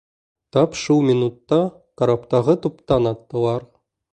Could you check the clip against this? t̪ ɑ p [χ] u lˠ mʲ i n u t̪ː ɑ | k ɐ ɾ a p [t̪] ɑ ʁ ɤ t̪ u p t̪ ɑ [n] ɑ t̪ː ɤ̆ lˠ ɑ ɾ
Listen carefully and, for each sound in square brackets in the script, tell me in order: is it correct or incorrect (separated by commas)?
incorrect, correct, correct